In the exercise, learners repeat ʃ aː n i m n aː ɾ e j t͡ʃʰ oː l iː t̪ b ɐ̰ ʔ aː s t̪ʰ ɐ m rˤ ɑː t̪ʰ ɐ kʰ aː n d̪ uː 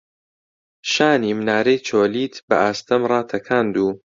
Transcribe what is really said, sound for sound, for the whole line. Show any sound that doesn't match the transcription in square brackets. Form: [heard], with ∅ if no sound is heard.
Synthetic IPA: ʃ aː n i m n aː ɾ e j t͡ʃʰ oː l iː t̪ b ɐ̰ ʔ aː s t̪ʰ ɐ m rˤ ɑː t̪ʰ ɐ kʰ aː n d̪ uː